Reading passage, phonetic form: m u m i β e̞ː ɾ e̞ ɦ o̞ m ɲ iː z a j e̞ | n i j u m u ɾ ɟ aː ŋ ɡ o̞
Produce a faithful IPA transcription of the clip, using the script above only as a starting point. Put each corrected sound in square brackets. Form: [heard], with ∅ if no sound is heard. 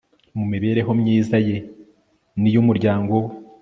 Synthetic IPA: m u m i β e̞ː ɾ e̞ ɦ o̞ m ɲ iː z a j e̞ | n i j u m u ɾ ɟ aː ŋ ɡ o̞